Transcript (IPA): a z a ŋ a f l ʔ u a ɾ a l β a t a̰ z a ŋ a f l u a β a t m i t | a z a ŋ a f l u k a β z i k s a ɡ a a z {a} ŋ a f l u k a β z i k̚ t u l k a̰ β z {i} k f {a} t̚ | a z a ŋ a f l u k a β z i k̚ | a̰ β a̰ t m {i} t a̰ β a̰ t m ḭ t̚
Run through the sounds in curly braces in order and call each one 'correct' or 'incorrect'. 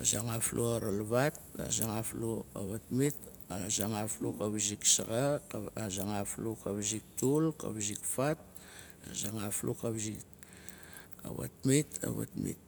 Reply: correct, correct, correct, correct

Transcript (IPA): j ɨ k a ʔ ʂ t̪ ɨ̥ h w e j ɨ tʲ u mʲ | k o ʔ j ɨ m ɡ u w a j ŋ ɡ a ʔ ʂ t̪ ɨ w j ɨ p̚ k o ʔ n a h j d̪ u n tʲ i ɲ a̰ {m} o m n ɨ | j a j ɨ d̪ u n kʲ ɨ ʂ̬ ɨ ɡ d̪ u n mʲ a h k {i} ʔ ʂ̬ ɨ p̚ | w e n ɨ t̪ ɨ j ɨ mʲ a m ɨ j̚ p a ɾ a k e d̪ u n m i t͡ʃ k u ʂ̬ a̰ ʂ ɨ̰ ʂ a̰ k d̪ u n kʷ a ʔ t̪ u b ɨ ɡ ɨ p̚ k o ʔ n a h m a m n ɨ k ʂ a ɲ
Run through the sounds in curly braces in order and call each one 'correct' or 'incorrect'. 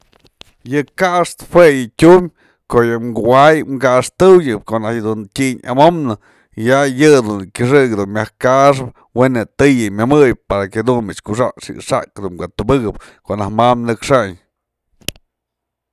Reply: correct, incorrect: a

